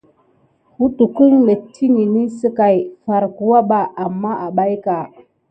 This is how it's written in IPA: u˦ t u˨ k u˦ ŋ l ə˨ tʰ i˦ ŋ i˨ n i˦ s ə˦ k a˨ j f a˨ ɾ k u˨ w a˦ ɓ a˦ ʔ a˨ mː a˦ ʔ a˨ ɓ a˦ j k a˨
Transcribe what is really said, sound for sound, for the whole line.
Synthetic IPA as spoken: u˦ t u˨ k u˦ ŋ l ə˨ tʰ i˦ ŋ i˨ n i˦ s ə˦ k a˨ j f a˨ ɾ k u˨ w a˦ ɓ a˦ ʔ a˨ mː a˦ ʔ a˨ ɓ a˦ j k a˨

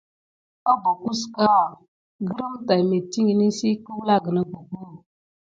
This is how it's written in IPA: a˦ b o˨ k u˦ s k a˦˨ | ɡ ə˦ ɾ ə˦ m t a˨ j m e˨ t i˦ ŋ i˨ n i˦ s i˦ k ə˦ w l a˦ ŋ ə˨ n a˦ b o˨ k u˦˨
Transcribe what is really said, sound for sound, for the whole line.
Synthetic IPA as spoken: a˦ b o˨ k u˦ s k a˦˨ | ɡ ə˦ ɾ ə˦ m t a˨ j m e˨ t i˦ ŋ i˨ n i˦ s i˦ k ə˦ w l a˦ ɡ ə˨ n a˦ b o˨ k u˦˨

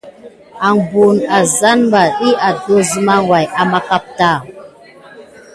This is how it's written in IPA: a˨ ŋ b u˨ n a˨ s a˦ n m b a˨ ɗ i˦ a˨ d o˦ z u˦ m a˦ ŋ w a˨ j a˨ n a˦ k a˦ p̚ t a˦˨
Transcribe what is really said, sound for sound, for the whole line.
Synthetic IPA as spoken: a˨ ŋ b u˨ n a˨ z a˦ n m b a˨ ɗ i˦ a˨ d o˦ z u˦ m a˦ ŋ w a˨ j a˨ m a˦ k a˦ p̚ t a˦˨

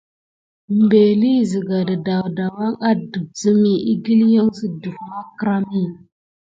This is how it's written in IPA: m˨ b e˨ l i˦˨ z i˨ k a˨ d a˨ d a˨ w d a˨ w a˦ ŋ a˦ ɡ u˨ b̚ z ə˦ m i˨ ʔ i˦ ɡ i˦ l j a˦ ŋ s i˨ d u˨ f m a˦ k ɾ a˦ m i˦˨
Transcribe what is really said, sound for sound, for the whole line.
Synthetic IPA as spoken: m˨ b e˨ l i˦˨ z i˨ ɡ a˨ d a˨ d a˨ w d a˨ w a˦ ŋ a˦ d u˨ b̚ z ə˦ m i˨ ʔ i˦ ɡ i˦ l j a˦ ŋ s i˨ d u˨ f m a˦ k ɾ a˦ m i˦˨

